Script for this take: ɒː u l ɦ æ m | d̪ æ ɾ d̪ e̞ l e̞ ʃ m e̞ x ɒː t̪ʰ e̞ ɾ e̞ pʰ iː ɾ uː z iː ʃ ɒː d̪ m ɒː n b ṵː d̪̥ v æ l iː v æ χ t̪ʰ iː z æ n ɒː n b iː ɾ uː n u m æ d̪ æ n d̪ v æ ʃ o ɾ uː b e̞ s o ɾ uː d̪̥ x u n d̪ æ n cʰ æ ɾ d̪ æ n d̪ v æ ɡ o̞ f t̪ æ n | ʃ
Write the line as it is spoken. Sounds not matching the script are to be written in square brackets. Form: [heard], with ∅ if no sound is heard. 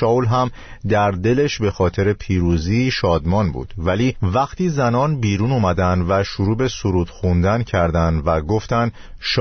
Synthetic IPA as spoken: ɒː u l ɦ æ m | d̪ æ ɾ d̪ e̞ l e̞ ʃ [b] e̞ x ɒː t̪ʰ e̞ ɾ e̞ pʰ iː ɾ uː z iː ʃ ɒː d̪ m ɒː n b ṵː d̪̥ v æ l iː v æ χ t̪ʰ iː z æ n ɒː n b iː ɾ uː n u m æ d̪ æ n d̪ v æ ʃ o ɾ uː b e̞ s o ɾ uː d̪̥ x u n d̪ æ n cʰ æ ɾ d̪ æ n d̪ v æ ɡ o̞ f t̪ æ n | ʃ